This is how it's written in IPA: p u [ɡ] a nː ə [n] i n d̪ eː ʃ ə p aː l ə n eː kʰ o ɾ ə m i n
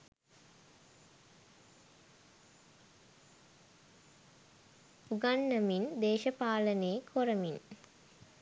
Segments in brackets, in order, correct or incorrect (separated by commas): correct, incorrect